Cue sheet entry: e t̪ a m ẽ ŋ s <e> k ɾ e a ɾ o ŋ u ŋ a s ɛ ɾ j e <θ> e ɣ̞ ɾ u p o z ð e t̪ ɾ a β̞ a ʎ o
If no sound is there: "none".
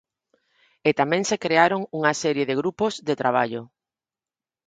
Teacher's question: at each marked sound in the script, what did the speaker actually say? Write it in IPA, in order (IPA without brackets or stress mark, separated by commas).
e, ð